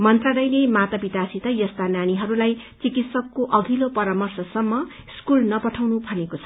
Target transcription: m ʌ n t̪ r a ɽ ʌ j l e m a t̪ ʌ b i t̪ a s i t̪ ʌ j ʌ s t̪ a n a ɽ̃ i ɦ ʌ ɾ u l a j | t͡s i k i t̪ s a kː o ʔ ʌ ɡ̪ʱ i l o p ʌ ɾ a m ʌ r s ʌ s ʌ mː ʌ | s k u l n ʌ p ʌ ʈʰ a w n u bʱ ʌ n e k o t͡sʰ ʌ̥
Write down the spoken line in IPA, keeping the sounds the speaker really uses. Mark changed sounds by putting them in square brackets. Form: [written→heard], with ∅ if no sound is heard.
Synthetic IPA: m ʌ n t̪ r a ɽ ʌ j l e m a t̪ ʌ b i t̪ a s i t̪ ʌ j ʌ s t̪ a n a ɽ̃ i ɦ ʌ ɾ u l a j | t͡s i k i t̪ s [a→ʌ] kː o ʔ ʌ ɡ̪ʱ i l o p ʌ ɾ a m ʌ r s ʌ s ʌ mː ʌ | s k u l n ʌ p ʌ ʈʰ a w n u bʱ ʌ n e k o t͡sʰ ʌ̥